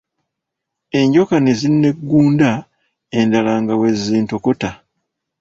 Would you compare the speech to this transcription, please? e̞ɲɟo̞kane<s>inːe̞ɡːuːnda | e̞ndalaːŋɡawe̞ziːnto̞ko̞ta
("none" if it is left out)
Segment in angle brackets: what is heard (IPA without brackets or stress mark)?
z